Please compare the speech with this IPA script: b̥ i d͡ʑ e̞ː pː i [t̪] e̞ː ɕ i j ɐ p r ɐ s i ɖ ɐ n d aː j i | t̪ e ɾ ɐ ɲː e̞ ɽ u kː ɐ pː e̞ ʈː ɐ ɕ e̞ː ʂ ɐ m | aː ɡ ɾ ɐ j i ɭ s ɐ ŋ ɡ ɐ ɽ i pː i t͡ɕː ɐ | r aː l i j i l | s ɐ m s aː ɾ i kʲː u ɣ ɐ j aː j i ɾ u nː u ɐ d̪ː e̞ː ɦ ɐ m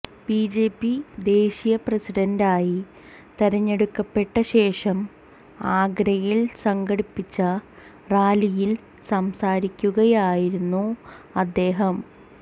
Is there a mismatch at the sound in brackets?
yes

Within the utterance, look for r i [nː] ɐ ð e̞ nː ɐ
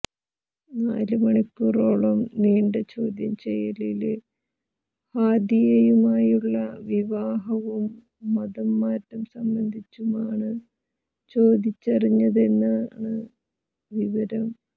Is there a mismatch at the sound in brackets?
yes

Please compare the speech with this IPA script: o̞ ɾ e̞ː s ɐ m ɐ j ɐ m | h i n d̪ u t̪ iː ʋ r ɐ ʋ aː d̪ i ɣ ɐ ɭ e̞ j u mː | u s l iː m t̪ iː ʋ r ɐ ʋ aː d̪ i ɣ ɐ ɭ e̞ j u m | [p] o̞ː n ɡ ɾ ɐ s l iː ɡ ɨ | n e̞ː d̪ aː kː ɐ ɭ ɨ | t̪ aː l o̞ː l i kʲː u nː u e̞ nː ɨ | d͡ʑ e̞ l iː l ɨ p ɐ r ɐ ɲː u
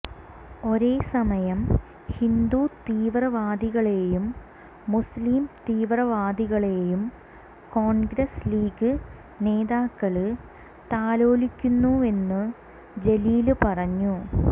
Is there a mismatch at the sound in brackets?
yes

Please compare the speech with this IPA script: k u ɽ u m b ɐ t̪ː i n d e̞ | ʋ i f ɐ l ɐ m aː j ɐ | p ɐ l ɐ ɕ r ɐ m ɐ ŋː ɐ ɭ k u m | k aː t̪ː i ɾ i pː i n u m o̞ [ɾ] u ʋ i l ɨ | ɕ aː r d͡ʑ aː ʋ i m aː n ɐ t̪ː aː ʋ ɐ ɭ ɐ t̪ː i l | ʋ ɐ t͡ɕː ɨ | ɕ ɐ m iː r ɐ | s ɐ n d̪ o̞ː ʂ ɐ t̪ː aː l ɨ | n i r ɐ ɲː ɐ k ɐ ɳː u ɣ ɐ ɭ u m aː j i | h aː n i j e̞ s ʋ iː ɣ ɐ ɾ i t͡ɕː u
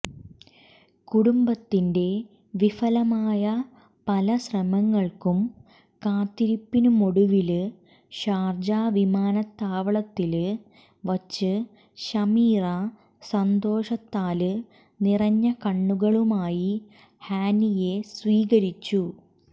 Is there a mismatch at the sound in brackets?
yes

